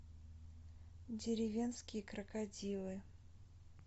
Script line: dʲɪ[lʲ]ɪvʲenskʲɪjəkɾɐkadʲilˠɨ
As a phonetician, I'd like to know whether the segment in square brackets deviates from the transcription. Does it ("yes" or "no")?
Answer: yes